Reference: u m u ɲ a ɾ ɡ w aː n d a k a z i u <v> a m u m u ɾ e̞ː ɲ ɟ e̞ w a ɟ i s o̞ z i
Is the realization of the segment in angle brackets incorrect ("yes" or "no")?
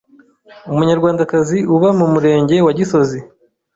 yes